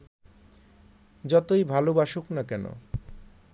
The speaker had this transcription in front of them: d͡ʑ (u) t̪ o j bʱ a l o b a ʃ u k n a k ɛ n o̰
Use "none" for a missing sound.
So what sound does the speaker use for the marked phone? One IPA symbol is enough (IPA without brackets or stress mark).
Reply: ɔ